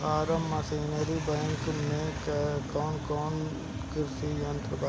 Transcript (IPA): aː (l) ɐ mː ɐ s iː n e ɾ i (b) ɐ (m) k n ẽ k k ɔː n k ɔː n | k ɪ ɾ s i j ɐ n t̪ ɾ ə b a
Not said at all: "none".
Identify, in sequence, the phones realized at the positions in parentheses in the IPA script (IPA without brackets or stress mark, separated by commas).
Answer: ɾ, b, ŋ